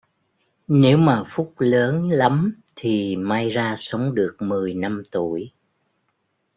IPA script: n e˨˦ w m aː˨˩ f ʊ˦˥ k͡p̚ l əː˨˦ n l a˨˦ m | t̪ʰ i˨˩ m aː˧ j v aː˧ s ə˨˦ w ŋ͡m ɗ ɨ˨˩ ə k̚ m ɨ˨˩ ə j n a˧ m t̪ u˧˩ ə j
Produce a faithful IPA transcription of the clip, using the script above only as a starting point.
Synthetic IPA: n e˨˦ w m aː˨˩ f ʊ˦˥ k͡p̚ l əː˨˦ n l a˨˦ m | t̪ʰ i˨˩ m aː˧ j z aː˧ s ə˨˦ w ŋ͡m ɗ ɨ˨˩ ə k̚ m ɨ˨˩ ə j n a˧ m t̪ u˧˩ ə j